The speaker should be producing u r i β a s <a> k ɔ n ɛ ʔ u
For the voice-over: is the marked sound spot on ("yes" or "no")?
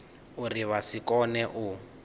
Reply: no